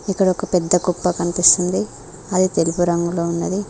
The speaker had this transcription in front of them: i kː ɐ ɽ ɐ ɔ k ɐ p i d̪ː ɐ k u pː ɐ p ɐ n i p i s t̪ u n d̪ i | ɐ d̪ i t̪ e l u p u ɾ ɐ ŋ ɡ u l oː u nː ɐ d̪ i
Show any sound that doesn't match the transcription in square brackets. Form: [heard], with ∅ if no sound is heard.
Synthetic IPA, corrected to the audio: i kː ɐ ɽ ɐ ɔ k ɐ p [ɛ] d̪ː ɐ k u pː ɐ [k] ɐ n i p i s t̪ u n d̪ i | ɐ d̪ i t̪ e l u p u ɾ ɐ ŋ ɡ u l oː u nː ɐ d̪ i